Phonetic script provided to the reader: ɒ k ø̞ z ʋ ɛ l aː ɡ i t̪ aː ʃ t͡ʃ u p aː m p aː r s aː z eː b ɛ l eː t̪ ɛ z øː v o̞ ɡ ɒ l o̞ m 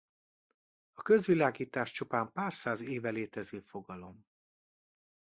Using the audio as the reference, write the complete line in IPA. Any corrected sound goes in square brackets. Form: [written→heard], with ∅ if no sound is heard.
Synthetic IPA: ɒ k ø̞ z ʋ [ɛ→i] l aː ɡ [i→iː] t̪ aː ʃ t͡ʃ u p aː m p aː r s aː z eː [b→v] ɛ l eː t̪ ɛ z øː [v→f] o̞ ɡ ɒ l o̞ m